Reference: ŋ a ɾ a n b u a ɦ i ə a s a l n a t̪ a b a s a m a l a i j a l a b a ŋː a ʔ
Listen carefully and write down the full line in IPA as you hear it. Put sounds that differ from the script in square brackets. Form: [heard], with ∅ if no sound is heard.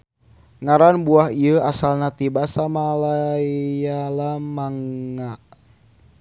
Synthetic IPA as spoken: ŋ a ɾ a n b u a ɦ i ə a s a l n a t̪ [i] b a s a m a l a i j a l a [m] a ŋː a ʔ